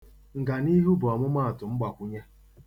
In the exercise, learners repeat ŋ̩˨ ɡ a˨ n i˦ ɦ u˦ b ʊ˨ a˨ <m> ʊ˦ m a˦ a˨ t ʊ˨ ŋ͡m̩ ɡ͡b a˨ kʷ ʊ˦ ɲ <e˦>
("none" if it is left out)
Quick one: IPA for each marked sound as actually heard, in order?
m, a˦

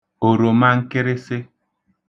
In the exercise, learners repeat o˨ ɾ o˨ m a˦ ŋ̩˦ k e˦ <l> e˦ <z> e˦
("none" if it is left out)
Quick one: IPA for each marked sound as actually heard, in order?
ɾ, s

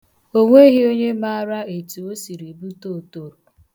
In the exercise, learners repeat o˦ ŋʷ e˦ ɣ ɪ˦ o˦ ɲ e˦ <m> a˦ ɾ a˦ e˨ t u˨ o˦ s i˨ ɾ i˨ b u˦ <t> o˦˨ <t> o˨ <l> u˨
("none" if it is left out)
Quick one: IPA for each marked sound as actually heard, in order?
m, t, t, ɾ

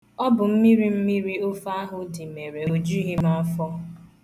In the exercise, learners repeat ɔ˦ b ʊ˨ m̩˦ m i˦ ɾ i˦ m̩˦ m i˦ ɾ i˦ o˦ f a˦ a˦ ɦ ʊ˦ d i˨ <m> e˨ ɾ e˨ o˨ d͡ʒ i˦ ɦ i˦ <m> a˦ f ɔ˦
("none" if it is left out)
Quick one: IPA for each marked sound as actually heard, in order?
m, m

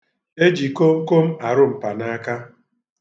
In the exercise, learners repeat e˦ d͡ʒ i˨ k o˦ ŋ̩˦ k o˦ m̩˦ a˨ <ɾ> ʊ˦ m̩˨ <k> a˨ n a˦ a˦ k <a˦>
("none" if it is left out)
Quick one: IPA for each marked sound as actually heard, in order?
ɾ, p, a˦

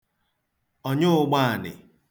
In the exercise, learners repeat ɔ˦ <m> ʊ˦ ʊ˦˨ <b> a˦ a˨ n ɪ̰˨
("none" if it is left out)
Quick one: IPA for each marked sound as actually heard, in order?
ɲ, ɡ͡b

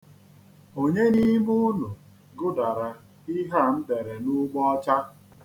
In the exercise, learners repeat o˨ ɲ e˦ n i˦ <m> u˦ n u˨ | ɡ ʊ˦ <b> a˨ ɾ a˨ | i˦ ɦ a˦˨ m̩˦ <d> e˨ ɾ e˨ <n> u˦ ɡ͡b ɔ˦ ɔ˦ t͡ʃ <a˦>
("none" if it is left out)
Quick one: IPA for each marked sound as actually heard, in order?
m, d, d, n, a˦

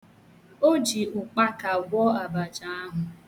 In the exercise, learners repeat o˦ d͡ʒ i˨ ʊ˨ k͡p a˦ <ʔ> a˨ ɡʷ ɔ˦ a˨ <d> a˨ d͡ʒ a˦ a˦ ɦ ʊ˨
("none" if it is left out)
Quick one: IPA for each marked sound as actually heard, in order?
k, b

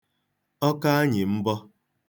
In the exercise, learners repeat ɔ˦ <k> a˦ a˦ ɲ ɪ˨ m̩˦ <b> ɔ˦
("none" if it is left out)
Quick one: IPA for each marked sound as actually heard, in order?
k, b

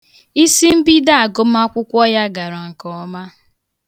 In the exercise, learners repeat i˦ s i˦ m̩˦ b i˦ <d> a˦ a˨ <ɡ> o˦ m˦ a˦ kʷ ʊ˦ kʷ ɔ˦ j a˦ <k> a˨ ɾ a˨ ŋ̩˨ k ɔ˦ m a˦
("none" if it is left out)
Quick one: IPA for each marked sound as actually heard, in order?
d, ɡ, ɡ

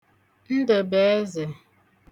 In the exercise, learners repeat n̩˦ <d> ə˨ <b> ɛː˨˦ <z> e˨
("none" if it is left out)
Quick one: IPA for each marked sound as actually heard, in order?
d, b, z

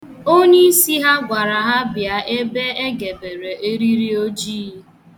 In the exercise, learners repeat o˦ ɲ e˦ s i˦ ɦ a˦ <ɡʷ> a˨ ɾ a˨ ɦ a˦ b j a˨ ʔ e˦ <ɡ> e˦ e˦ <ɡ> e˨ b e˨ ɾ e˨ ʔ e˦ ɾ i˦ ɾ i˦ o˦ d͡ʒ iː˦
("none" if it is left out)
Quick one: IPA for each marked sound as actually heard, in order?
ɡʷ, b, ɡ

